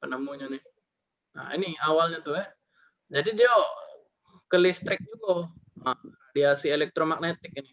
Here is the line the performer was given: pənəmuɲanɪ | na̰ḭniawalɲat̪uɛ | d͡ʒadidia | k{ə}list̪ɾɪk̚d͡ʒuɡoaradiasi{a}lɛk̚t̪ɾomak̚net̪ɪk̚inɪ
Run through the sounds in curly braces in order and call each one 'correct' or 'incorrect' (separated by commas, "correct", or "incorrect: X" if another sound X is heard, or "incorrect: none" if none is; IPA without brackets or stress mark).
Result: correct, incorrect: e